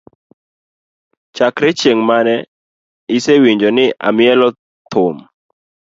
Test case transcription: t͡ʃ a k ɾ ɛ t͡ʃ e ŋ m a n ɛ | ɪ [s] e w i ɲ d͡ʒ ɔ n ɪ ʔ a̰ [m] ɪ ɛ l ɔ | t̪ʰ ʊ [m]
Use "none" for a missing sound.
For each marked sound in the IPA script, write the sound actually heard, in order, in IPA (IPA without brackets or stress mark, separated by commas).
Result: s, m, m